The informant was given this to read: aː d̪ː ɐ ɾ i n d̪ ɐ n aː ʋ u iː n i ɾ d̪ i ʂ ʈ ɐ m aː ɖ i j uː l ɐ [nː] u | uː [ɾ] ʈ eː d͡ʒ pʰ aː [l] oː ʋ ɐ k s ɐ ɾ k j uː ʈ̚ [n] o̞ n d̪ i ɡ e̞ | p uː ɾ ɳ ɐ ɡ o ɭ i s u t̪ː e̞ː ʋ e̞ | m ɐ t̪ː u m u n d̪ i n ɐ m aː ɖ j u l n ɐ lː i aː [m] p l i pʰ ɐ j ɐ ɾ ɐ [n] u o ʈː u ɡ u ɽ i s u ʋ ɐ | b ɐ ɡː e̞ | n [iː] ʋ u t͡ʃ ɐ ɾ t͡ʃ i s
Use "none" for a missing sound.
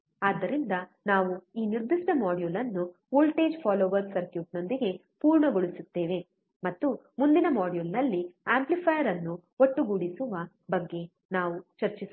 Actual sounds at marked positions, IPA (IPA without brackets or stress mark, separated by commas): nː, l, l, n, m, nː, aː